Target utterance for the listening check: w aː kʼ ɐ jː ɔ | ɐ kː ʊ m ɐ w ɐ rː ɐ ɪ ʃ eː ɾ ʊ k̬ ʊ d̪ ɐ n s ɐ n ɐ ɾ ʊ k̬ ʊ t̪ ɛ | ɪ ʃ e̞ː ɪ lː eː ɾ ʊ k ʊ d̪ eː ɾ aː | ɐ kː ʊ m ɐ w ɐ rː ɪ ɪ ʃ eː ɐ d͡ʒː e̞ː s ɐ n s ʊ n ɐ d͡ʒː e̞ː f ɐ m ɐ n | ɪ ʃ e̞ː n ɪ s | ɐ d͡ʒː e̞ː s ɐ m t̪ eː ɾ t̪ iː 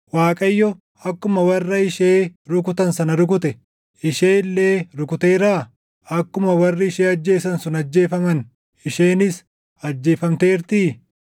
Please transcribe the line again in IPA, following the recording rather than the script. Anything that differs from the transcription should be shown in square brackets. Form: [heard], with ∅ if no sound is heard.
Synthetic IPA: w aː kʼ ɐ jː ɔ | ɐ kː ʊ m ɐ w ɐ rː ɐ ɪ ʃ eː ɾ ʊ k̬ ʊ [t̪] ɐ n s ɐ n ɐ ɾ ʊ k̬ ʊ t̪ ɛ | ɪ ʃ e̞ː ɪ lː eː ɾ ʊ k ʊ [t̪] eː ɾ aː | ɐ kː ʊ m ɐ w ɐ rː ɪ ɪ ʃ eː ɐ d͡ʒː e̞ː s ɐ n s ʊ n ɐ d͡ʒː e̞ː f ɐ m ɐ n | ɪ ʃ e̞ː n ɪ s | ɐ d͡ʒː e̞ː [f] ɐ m t̪ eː ɾ t̪ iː

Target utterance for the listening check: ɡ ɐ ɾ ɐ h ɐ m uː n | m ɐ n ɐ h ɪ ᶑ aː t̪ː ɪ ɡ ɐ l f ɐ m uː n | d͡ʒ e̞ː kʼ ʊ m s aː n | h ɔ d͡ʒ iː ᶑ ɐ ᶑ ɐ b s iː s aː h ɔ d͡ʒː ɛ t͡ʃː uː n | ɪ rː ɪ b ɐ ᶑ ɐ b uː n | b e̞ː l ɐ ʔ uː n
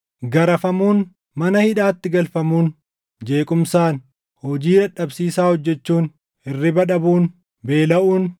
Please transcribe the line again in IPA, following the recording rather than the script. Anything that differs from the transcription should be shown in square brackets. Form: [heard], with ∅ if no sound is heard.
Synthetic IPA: ɡ ɐ ɾ ɐ [f] ɐ m uː n | m ɐ n ɐ h ɪ ᶑ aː t̪ː ɪ ɡ ɐ l f ɐ m uː n | d͡ʒ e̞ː kʼ ʊ m s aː n | h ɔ d͡ʒ iː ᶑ ɐ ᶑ ɐ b s iː s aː h ɔ d͡ʒː ɛ t͡ʃː uː n | ɪ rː ɪ b ɐ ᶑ ɐ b uː n | b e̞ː l ɐ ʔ uː n

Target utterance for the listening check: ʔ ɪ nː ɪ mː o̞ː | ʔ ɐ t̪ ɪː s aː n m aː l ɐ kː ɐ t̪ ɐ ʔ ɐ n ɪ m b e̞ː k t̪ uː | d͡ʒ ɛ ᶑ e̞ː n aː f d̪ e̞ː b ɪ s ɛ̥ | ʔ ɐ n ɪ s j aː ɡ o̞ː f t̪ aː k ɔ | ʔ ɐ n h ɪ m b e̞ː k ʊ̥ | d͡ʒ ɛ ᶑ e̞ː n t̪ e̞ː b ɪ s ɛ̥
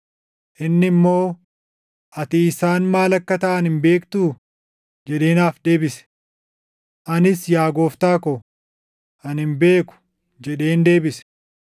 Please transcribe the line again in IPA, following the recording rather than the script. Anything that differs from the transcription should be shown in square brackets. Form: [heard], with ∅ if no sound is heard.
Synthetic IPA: ʔ ɪ nː ɪ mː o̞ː | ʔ ɐ t̪ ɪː s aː n m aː l ɐ kː ɐ t̪ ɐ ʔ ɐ n ɪ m b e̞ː k t̪ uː | d͡ʒ ɛ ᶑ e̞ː n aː f d̪ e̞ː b ɪ s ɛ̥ | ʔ ɐ n ɪ s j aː ɡ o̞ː f t̪ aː k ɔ | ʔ ɐ n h ɪ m b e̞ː k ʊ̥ | d͡ʒ ɛ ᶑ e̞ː n [d̪] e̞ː b ɪ s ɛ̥

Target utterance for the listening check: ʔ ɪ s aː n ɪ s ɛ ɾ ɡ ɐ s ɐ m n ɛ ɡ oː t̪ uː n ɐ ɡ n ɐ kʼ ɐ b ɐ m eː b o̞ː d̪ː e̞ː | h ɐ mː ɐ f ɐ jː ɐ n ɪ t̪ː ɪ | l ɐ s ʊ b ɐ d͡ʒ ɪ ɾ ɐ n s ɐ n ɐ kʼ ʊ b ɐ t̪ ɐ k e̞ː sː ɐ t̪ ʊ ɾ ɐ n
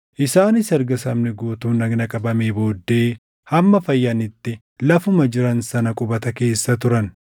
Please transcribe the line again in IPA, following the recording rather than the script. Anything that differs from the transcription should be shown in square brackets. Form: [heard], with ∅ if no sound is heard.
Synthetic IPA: ʔ ɪ s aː n ɪ s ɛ ɾ ɡ ɐ s ɐ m n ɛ ɡ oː t̪ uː n ɐ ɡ n ɐ kʼ ɐ b ɐ m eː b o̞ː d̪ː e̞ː | h ɐ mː ɐ f ɐ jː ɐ n ɪ t̪ː ɪ | l ɐ [f] ʊ [m] ɐ d͡ʒ ɪ ɾ ɐ n s ɐ n ɐ kʼ ʊ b ɐ t̪ ɐ k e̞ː sː ɐ t̪ ʊ ɾ ɐ n

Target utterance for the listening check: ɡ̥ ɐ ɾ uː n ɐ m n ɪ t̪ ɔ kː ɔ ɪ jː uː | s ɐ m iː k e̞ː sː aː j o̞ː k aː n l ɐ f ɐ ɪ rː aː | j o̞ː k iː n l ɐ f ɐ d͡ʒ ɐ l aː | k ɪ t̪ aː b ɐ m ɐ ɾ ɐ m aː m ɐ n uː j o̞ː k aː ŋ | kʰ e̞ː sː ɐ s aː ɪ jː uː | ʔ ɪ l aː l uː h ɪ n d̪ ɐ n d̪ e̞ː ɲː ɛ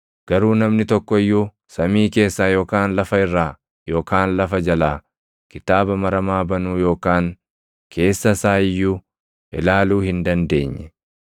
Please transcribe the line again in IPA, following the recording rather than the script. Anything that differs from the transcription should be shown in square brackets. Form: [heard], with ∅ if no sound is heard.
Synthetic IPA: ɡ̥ ɐ ɾ uː n ɐ m n ɪ t̪ ɔ kː ɔ ɪ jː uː | s ɐ m iː k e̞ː sː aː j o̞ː k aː n l ɐ f ɐ ɪ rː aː | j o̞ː k [aː] n l ɐ f ɐ d͡ʒ ɐ l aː | k ɪ t̪ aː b ɐ m ɐ ɾ ɐ m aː [b] ɐ n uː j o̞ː k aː ŋ | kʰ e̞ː sː ɐ s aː ɪ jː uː | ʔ ɪ l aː l uː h ɪ n d̪ ɐ n d̪ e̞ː ɲː ɛ

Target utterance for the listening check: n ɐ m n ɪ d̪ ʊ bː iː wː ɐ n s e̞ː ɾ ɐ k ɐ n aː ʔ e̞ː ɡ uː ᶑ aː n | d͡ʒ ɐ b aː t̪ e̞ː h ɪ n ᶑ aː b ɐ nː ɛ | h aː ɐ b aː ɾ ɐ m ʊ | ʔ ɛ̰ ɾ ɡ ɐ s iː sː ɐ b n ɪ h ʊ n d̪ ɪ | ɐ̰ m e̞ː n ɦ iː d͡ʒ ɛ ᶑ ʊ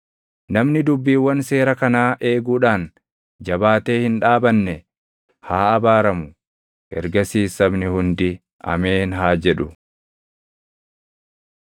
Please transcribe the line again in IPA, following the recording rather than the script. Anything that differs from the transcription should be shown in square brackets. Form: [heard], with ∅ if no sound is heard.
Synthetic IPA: n ɐ m n ɪ d̪ ʊ bː iː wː ɐ n s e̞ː ɾ ɐ k ɐ n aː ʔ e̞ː ɡ uː ᶑ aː n | d͡ʒ ɐ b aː t̪ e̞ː h ɪ n ᶑ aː b ɐ nː ɛ | h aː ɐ b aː ɾ ɐ m ʊ | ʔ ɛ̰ ɾ ɡ ɐ s iː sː ɐ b n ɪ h ʊ n d̪ ɪ | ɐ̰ m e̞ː n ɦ [aː] d͡ʒ ɛ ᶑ ʊ

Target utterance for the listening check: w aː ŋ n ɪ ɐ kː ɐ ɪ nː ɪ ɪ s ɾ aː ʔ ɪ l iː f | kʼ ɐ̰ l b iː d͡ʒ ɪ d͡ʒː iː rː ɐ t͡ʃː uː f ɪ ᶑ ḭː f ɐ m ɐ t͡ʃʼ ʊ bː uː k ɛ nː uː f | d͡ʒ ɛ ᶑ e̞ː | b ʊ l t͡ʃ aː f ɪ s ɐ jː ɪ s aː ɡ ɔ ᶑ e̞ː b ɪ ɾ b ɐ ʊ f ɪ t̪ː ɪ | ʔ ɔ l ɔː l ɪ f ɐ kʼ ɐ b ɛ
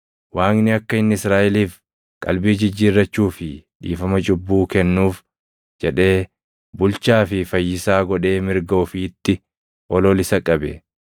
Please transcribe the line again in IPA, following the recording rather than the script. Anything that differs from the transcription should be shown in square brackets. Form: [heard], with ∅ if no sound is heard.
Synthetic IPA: w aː ŋ n ɪ ɐ kː ɐ ɪ nː ɪ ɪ s ɾ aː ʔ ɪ l iː f | kʼ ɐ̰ l b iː d͡ʒ ɪ d͡ʒː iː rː ɐ t͡ʃː uː f ɪ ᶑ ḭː f ɐ m ɐ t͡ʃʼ ʊ bː uː k ɛ nː uː f | d͡ʒ ɛ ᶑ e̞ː | b ʊ l t͡ʃ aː f ɪ [f] ɐ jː ɪ s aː ɡ ɔ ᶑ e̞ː [m] ɪ ɾ [ɡ] ɐ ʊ f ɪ t̪ː ɪ | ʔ ɔ l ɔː l ɪ [s] ɐ kʼ ɐ b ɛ

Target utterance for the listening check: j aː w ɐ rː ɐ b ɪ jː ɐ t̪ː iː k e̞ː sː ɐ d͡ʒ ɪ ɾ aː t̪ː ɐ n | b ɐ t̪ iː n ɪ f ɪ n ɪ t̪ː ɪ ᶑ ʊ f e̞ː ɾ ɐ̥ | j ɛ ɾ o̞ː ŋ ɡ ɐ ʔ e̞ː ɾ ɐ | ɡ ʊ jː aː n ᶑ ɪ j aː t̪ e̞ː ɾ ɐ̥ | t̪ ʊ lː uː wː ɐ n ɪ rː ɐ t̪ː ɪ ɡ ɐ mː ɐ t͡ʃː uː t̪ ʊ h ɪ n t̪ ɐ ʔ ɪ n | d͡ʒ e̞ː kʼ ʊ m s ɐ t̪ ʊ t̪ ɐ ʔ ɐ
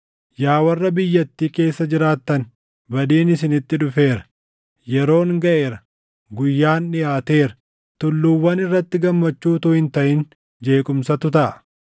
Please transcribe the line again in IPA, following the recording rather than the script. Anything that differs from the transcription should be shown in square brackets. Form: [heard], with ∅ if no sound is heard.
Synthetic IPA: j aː w ɐ rː ɐ b ɪ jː ɐ t̪ː iː k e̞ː sː ɐ d͡ʒ ɪ ɾ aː t̪ː ɐ n | b ɐ [d̪] iː n ɪ [s] ɪ n ɪ t̪ː ɪ ᶑ ʊ f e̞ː ɾ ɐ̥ | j ɛ ɾ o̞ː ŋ ɡ ɐ ʔ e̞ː ɾ ɐ | ɡ ʊ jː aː n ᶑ ɪ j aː t̪ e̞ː ɾ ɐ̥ | t̪ ʊ lː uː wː ɐ n ɪ rː ɐ t̪ː ɪ ɡ ɐ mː ɐ t͡ʃː uː t̪ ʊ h ɪ n t̪ ɐ ʔ ɪ n | d͡ʒ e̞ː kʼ ʊ m s ɐ t̪ ʊ t̪ ɐ ʔ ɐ

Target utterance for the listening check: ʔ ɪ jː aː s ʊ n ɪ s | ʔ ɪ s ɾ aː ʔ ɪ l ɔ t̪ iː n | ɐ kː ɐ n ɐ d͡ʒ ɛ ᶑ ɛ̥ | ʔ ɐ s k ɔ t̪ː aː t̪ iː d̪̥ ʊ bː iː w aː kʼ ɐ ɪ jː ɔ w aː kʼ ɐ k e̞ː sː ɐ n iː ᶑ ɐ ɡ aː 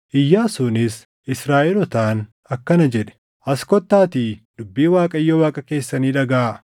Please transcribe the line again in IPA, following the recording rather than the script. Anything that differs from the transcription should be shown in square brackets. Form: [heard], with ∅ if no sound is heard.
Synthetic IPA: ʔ ɪ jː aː s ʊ n ɪ s | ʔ ɪ s ɾ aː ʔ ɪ l ɔ t̪ [aː] n | ɐ kː ɐ n ɐ d͡ʒ ɛ ᶑ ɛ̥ | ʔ ɐ s k ɔ t̪ː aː t̪ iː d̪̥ ʊ bː iː w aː kʼ ɐ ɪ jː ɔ w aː kʼ ɐ k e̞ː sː ɐ n iː ᶑ ɐ ɡ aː

